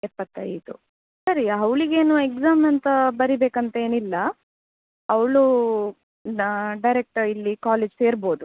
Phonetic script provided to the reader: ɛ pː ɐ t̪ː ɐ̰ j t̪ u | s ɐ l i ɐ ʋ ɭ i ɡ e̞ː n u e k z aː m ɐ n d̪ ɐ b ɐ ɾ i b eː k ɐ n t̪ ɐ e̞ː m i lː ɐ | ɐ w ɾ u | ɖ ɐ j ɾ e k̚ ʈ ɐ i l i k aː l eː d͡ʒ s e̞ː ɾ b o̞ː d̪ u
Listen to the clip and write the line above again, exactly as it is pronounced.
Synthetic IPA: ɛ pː ɐ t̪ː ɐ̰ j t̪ u | s ɐ ɾ i ɐ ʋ ɭ i ɡ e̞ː n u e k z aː m ɐ n t̪ ɐ b ɐ ɾ i b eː k ɐ n t̪ ɐ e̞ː n i lː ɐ | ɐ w ɭ u | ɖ ɐ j ɾ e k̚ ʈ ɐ i lː i k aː l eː d͡ʒ s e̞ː ɾ b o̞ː d̪ u